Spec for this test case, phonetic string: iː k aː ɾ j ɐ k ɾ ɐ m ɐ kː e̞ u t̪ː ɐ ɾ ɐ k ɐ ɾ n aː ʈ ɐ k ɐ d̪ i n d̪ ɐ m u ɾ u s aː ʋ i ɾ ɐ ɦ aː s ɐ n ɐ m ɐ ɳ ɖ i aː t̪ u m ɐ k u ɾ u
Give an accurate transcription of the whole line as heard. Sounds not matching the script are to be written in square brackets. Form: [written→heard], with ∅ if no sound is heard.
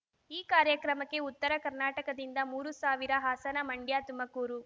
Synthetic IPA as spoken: iː k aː ɾ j ɐ k ɾ ɐ m ɐ kː e̞ u t̪ː ɐ ɾ ɐ k ɐ ɾ n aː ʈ ɐ k ɐ d̪ i n d̪ ɐ m [u→uː] ɾ u s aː ʋ i ɾ ɐ ɦ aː s ɐ n ɐ m ɐ ɳ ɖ [i→j] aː t̪ u m ɐ k [u→uː] ɾ u